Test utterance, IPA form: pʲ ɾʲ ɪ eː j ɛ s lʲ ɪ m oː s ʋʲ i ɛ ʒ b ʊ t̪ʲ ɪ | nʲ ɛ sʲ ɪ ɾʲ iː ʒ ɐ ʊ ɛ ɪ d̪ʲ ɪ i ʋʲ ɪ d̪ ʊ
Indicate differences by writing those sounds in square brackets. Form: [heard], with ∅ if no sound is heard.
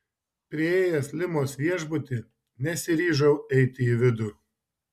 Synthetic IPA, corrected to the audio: pʲ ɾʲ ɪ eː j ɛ s lʲ ɪ m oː s ʋʲ i ɛ ʒ b ʊ t̪ʲ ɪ | nʲ ɛ sʲ ɪ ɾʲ iː ʒ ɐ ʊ ɛ ɪ [t̪ʲ] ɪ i ʋʲ ɪ d̪ ʊ